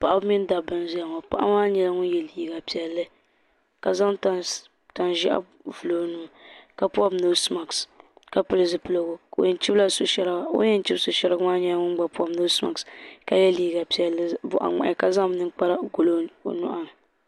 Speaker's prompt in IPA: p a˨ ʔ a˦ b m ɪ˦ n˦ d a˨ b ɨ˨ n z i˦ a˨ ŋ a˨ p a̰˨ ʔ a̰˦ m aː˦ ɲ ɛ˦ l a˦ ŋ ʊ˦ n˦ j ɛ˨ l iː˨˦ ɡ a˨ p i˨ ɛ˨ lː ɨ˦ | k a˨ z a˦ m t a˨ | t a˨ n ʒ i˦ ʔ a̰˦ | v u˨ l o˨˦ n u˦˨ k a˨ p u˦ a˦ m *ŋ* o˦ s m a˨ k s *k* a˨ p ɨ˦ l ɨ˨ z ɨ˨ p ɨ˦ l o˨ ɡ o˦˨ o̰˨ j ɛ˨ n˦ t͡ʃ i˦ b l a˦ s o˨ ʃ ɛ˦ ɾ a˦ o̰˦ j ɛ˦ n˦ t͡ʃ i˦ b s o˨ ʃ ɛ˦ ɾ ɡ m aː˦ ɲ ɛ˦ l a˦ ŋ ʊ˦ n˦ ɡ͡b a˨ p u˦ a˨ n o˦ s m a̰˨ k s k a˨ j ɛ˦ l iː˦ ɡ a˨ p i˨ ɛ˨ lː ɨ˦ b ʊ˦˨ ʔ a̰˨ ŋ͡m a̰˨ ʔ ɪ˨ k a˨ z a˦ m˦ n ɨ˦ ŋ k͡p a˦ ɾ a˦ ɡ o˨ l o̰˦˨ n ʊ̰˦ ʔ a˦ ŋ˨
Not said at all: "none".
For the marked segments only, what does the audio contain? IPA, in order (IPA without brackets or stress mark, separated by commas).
n, k